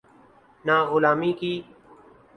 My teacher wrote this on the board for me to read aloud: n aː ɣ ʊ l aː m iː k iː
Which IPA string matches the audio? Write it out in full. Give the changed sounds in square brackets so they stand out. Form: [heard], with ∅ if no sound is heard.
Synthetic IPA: n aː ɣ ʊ l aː m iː k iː

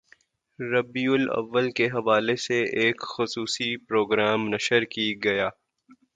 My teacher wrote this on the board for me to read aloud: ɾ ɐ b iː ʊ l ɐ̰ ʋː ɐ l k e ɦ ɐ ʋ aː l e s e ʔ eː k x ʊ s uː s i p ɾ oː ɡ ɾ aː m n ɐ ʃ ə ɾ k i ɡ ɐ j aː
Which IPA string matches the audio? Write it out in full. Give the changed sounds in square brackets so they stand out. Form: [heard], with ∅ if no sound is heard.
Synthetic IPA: ɾ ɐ b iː ʊ l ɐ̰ ʋː [ə] l k e ɦ ɐ ʋ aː l e s e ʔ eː k x ʊ s uː s i p ɾ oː ɡ ɾ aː m n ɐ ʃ ə ɾ k i ɡ ɐ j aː

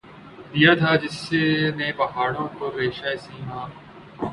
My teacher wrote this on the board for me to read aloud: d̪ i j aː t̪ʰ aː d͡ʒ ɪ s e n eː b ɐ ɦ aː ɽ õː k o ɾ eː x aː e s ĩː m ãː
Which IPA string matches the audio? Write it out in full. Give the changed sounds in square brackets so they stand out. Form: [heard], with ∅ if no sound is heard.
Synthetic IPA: d̪ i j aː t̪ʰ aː d͡ʒ ɪ s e n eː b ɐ ɦ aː ɽ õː k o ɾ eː [ʃ] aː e s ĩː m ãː

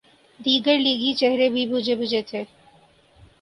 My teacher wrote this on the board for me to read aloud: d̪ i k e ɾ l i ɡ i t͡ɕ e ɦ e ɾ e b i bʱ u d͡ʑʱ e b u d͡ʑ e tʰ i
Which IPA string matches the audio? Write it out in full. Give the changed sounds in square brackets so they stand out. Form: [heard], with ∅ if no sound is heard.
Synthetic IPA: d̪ i [ɡ] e ɾ l i ɡ i t͡ɕ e ɦ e ɾ e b i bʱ u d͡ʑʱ e b u d͡ʑ e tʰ [e]

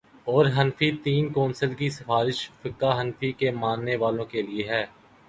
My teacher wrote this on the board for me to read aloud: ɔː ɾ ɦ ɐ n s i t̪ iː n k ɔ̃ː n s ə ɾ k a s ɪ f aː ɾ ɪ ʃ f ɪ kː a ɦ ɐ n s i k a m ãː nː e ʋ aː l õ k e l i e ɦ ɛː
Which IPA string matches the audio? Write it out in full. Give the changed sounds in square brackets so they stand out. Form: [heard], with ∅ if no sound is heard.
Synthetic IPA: ɔː ɾ ɦ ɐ n [f] i t̪ iː n k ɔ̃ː n s ə [l] k [i] s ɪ f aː ɾ ɪ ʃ f ɪ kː a ɦ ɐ n [f] i k [e] m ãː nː e ʋ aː l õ k e l i e ɦ ɛː

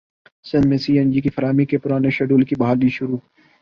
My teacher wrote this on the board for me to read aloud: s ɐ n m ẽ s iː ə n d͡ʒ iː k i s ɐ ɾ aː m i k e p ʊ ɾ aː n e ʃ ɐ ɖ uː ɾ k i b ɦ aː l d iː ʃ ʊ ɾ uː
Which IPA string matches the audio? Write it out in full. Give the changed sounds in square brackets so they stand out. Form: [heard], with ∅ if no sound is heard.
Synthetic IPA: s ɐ n m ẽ s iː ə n d͡ʒ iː k i [f] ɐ ɾ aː m i k e p ʊ ɾ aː n e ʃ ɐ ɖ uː [l] k i b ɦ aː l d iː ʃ ʊ ɾ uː

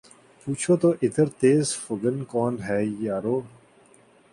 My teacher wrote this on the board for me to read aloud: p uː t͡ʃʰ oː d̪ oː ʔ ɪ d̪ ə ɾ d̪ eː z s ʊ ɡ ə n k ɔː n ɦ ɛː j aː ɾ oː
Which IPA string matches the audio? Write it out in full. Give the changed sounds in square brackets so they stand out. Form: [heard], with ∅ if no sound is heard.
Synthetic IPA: p uː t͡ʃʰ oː [t̪] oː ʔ ɪ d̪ ə ɾ [t̪] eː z [f] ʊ ɡ ə n k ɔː n ɦ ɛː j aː ɾ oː

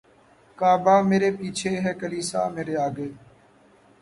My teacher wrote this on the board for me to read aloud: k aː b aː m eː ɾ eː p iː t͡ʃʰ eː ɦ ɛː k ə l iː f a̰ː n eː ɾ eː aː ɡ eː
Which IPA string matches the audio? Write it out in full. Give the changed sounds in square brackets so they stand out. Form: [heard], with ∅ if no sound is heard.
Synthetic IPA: k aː b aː m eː ɾ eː p iː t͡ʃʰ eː ɦ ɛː k ə l iː [s] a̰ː [m] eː ɾ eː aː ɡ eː

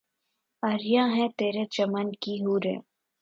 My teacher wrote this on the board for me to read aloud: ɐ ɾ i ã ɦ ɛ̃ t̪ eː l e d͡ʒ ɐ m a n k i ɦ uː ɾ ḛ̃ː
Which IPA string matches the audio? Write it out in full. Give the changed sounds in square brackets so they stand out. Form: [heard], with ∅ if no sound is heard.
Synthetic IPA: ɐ ɾ [j] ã ɦ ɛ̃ t̪ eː [ɾ] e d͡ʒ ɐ m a n k i ɦ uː ɾ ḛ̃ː

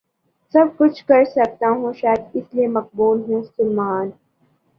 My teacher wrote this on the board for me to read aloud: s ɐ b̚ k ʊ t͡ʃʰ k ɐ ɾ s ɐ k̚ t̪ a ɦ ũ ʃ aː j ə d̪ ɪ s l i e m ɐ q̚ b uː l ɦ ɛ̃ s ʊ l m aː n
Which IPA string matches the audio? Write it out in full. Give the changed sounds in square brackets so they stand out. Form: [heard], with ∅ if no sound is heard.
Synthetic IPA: s ɐ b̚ k ʊ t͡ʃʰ k ɐ ɾ s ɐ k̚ t̪ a ɦ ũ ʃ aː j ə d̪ ɪ s l i e m ɐ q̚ b uː l ɦ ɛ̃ s ʊ l m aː n

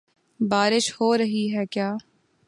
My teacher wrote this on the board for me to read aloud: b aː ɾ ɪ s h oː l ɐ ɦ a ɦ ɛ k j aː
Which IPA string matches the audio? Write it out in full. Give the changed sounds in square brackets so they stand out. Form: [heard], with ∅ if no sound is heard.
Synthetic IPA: b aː ɾ ɪ [ʃ] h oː [ɾ] ɐ ɦ [i] ɦ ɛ k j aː

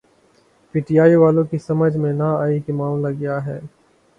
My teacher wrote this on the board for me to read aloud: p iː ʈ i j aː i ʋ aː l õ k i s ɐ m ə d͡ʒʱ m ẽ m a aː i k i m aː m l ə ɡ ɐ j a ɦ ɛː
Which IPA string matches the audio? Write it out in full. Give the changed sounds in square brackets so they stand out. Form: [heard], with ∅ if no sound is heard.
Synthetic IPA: p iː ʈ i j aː i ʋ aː l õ k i s ɐ m ə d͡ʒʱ m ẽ [n] a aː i k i m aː m l [a] ɡ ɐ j a ɦ ɛː

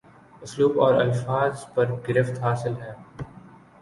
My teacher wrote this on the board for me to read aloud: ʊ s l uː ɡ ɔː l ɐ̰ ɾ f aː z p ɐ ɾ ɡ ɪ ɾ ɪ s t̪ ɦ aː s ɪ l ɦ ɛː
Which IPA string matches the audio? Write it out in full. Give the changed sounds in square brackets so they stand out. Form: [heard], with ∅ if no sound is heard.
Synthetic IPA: ʊ s l uː [b] ɔː [ɾ] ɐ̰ [l] f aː z p ɐ ɾ ɡ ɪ ɾ ɪ [f] t̪ ɦ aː s ɪ l ɦ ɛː

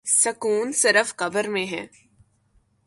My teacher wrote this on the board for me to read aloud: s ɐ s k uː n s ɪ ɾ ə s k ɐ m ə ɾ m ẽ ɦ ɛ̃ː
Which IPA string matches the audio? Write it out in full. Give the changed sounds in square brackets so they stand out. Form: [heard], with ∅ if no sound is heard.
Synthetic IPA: s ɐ [∅] k uː n s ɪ ɾ ə [f] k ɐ [b] ə ɾ m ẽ ɦ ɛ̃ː

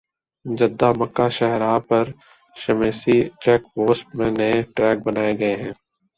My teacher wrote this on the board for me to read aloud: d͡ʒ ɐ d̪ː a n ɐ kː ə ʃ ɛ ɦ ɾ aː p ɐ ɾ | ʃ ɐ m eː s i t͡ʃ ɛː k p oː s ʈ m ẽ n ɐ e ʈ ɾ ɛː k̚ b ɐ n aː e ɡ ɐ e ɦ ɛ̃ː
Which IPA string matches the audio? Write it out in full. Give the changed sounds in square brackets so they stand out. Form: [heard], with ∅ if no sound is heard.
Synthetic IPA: d͡ʒ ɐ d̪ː a [m] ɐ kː [a] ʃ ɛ ɦ ɾ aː p ɐ ɾ | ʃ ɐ m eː s i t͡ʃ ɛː k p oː s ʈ m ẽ n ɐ e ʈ ɾ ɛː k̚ b ɐ n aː e ɡ ɐ e ɦ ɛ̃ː

